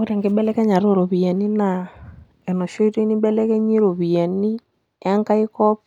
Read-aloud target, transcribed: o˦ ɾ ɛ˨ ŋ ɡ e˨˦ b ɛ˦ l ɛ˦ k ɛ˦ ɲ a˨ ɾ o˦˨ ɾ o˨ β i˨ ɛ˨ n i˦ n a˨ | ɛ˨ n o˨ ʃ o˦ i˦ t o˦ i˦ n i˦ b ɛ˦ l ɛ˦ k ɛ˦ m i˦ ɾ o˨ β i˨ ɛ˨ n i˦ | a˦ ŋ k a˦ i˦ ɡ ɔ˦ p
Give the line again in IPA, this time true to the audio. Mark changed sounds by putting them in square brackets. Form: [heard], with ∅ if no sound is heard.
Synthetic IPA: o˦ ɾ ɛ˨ ŋ ɡ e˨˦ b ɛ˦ l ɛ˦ k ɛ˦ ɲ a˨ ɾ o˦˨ ɾ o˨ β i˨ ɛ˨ n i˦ n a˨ | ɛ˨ n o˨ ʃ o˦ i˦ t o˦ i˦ n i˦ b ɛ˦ l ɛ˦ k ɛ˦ [ɲ] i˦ ɾ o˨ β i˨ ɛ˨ n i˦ | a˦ ŋ k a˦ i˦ [k] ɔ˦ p